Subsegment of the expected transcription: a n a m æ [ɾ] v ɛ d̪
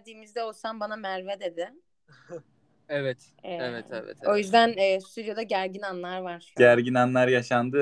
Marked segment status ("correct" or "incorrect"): correct